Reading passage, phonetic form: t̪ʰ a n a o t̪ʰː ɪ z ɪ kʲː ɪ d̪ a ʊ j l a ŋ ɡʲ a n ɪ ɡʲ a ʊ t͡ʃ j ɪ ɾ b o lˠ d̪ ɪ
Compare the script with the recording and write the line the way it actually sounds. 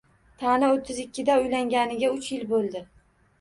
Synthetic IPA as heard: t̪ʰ a n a o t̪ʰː ɪ z ɪ kʲː ɪ d̪ a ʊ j l a ŋ ɡʲ a n ɪ ɡʲ a ʊ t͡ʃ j ɪ l b o lˠ d̪ ɪ